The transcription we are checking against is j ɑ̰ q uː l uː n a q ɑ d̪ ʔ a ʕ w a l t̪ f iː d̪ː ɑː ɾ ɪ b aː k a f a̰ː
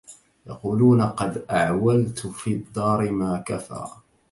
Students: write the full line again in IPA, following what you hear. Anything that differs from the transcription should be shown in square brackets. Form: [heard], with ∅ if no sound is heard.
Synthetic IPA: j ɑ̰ q uː l uː n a q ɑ d̪ ʔ a ʕ w a l t̪ f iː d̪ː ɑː ɾ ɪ [m] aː k a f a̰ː